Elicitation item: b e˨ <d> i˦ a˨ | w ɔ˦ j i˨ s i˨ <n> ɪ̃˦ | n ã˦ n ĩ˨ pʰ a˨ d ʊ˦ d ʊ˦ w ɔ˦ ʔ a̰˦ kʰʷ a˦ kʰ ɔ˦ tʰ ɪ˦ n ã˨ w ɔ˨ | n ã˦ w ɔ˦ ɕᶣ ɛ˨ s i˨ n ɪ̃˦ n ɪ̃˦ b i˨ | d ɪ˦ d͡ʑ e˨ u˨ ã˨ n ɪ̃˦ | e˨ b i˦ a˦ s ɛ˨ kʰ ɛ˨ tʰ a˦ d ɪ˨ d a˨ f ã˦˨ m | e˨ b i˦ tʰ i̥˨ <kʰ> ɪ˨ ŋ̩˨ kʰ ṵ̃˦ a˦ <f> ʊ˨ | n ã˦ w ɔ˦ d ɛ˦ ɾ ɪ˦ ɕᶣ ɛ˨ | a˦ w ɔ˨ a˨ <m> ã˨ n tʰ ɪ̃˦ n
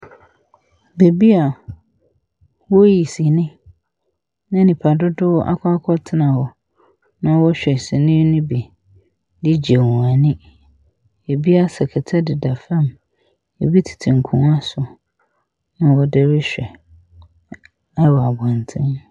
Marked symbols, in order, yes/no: no, yes, no, no, no

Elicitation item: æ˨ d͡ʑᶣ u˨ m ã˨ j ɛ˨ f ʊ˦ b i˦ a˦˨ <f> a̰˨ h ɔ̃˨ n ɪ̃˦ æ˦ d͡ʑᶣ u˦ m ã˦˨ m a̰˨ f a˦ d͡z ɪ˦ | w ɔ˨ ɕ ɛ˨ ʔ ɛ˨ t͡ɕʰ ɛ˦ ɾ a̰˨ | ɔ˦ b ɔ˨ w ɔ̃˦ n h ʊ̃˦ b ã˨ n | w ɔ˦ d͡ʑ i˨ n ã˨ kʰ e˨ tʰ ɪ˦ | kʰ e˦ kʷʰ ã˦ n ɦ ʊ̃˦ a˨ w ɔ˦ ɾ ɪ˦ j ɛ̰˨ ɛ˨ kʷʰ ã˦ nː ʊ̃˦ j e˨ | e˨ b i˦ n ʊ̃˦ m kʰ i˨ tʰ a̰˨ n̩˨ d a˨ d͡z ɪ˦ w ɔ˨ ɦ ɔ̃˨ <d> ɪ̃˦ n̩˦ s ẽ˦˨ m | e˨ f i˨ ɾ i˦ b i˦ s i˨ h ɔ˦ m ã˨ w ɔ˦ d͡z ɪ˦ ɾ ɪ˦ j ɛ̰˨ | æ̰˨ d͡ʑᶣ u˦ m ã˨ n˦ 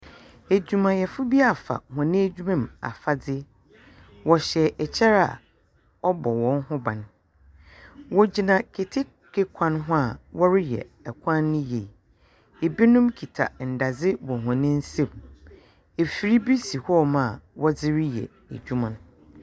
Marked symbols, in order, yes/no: yes, no

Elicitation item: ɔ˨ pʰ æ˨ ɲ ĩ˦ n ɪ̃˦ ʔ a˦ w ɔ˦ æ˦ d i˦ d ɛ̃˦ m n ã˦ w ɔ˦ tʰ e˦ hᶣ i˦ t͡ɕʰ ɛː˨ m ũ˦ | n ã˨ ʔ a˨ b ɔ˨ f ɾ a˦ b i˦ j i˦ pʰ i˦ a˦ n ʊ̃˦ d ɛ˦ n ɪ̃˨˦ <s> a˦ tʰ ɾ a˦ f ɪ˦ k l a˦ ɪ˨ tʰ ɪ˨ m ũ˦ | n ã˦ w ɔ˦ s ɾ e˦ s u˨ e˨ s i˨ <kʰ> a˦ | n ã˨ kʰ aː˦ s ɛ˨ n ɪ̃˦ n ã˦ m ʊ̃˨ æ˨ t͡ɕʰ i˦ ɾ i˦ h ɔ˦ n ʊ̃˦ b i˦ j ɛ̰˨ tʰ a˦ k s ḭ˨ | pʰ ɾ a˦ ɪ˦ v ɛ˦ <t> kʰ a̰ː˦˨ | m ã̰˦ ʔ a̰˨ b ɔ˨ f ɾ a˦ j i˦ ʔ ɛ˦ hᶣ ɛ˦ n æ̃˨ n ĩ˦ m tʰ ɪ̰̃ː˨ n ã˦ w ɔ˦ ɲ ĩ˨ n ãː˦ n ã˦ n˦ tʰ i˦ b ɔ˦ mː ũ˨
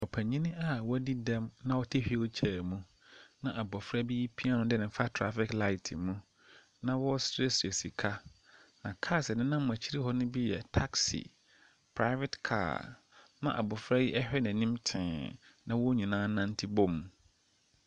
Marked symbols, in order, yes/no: no, yes, yes

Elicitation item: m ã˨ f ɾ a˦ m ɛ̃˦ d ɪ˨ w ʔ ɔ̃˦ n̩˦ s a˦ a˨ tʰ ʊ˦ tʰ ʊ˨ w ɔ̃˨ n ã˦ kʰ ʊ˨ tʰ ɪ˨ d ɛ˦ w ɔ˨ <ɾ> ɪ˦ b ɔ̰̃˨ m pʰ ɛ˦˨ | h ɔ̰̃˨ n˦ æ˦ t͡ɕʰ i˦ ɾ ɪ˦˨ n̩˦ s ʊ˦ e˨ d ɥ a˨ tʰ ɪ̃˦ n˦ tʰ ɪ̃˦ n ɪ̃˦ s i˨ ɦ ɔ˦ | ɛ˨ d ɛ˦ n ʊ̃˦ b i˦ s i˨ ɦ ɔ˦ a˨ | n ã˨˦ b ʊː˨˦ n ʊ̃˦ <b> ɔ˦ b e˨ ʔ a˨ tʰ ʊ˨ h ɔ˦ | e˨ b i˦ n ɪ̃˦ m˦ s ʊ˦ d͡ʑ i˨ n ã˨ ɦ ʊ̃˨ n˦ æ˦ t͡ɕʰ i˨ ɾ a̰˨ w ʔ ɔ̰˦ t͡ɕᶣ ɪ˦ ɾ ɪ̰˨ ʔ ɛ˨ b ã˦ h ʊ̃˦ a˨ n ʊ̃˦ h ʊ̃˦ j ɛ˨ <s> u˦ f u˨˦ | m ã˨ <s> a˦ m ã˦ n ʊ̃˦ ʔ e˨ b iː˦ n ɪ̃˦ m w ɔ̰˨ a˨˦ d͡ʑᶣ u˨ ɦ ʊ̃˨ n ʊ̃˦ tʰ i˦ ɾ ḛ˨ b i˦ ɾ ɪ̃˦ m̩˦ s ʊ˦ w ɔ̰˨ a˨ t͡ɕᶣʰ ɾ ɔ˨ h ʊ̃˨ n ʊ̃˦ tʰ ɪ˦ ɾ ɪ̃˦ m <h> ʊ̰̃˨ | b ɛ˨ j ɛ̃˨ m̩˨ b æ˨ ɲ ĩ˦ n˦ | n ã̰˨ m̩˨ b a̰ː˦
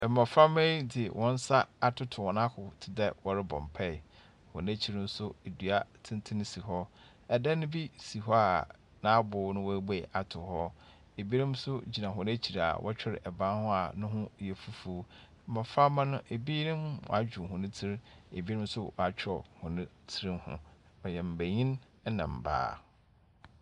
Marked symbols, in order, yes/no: yes, no, no, no, yes

